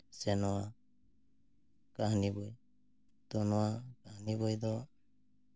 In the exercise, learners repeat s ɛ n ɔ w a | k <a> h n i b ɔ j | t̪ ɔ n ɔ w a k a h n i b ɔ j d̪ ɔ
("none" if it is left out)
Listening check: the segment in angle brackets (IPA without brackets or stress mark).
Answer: a